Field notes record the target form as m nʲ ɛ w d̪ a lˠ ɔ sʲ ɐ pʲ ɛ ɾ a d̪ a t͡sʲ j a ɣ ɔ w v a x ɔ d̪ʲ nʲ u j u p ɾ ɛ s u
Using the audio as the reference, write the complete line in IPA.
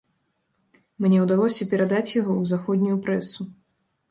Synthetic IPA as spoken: m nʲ ɛ w d̪ a lˠ ɔ sʲ ɐ pʲ ɛ ɾ a d̪ a t͡sʲ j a ɣ ɔ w z a x ɔ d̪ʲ nʲ u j u p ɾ ɛ s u